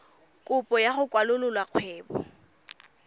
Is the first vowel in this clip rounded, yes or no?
yes